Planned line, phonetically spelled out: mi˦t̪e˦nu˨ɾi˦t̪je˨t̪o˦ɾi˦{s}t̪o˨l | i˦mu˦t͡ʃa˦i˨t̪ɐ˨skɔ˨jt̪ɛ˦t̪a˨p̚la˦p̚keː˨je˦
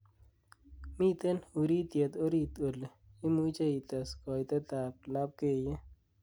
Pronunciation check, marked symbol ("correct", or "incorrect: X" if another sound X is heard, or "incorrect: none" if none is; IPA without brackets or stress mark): incorrect: none